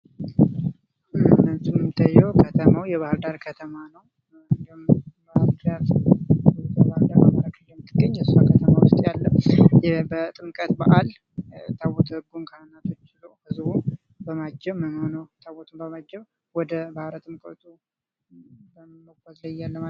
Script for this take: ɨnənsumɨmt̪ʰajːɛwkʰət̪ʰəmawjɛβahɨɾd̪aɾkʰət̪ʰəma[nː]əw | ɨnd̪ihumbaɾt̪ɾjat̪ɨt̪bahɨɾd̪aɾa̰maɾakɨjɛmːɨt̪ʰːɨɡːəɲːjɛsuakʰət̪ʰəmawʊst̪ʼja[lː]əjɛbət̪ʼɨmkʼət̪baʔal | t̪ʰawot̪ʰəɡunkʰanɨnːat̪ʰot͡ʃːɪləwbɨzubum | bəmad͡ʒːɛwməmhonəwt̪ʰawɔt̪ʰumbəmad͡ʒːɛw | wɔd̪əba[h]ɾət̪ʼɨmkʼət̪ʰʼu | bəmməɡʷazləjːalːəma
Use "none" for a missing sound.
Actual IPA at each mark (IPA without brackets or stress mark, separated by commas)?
n, lː, h